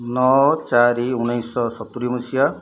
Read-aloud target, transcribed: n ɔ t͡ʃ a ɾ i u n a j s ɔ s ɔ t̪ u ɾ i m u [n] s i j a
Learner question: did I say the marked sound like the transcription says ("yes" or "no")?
no